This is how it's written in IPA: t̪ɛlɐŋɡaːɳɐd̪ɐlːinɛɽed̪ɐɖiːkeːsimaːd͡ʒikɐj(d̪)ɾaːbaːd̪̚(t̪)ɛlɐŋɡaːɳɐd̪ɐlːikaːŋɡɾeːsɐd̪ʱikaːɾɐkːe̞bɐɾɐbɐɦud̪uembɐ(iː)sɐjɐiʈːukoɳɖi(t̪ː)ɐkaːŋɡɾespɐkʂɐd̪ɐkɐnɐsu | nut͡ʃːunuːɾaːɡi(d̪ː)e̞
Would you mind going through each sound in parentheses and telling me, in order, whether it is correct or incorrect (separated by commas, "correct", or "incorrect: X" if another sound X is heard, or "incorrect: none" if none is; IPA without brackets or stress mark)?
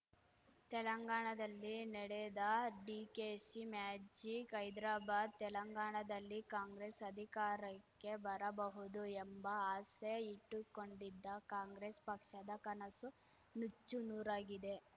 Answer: correct, correct, incorrect: aː, incorrect: d̪ː, incorrect: d̪